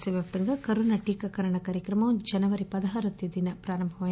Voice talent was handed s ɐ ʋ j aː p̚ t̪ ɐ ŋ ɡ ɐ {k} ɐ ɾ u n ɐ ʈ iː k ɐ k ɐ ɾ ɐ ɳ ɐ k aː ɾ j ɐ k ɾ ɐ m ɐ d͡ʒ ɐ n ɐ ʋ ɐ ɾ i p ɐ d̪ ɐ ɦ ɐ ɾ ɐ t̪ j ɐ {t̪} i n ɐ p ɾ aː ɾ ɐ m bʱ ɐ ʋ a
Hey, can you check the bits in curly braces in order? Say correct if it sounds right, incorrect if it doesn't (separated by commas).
correct, incorrect